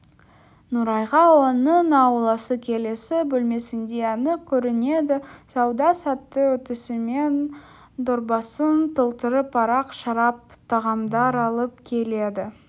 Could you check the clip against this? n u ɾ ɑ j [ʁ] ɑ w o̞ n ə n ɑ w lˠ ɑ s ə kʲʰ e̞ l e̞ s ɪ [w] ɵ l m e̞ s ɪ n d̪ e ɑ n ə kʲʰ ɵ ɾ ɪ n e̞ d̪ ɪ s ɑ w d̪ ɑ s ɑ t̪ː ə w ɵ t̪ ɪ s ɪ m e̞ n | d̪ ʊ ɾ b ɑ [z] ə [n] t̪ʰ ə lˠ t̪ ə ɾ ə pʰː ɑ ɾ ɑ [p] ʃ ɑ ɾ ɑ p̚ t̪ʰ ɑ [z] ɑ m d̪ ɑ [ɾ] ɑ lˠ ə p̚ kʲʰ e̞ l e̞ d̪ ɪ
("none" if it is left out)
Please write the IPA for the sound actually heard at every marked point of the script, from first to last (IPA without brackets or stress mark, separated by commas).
ʁ, b, s, n, q, ʁ, ɾ